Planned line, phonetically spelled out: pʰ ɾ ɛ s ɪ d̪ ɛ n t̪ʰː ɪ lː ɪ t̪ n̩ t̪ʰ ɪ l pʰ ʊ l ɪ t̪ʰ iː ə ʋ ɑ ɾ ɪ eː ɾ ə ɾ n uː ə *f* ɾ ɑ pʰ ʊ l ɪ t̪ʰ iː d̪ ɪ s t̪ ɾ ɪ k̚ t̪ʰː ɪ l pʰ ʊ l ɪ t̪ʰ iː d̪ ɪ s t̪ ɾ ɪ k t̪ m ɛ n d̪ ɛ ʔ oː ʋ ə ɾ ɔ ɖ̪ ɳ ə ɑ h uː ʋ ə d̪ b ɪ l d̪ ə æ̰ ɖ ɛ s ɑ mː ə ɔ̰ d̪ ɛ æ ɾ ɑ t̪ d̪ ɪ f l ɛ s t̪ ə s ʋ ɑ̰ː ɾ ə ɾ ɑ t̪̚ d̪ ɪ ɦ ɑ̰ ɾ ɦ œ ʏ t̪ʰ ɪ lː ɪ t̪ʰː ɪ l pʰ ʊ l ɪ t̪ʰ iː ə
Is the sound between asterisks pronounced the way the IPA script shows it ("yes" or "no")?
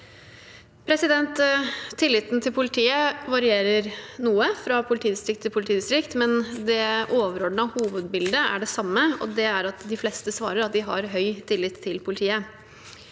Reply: yes